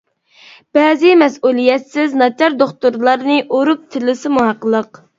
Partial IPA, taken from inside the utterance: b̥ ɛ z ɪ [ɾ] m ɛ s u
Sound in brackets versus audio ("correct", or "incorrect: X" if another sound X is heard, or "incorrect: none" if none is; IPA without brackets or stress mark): incorrect: none